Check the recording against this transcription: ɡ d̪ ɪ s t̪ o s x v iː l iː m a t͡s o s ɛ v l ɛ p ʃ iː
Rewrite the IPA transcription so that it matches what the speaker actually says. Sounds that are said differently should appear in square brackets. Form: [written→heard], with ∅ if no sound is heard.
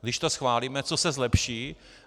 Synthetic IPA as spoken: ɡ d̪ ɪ [s→ʃ] t̪ o s x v [iː→aː] l iː m [a→ɛ] t͡s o s ɛ [v→z] l ɛ p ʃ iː